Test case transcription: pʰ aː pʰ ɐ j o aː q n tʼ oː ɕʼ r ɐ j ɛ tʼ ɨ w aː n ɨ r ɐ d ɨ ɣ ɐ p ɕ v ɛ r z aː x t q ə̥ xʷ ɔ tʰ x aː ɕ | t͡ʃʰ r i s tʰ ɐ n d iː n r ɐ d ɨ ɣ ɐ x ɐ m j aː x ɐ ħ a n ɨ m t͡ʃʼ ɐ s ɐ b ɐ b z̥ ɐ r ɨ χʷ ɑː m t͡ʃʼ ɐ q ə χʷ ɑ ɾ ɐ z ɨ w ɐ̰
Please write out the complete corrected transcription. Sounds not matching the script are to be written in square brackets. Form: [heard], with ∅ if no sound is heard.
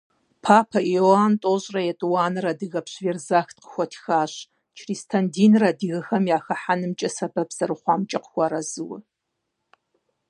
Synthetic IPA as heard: pʰ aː pʰ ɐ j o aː [∅] n tʼ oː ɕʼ r ɐ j ɛ tʼ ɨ w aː n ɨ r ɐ d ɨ ɣ ɐ p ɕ v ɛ r z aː x t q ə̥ xʷ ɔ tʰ x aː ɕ | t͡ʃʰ r i s tʰ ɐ n d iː n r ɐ d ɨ ɣ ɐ x ɐ m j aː x ɐ ħ a n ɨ m t͡ʃʼ ɐ s ɐ b ɐ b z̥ ɐ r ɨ χʷ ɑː m t͡ʃʼ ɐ q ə [xʷ] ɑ ɾ ɐ z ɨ w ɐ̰